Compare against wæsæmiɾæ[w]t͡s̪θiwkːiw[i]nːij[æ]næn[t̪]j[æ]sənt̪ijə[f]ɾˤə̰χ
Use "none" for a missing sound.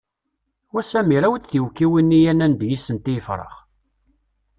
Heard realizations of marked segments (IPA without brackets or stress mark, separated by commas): w, i, æ, d̪, i, f